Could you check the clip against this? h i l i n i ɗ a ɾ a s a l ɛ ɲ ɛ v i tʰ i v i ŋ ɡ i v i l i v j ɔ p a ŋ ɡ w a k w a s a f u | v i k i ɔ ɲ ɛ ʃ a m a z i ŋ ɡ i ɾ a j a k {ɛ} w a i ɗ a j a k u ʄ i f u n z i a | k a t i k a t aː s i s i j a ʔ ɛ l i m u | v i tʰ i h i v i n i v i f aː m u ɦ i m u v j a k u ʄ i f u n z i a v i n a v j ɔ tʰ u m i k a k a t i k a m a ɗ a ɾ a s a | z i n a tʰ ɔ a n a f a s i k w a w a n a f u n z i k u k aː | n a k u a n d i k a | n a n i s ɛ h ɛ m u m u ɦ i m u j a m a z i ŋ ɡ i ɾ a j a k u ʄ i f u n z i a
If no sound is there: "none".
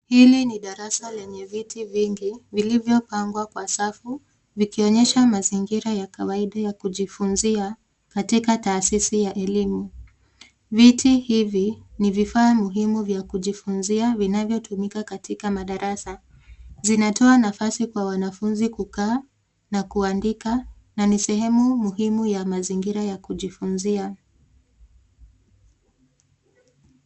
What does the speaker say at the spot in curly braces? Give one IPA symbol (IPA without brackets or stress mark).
a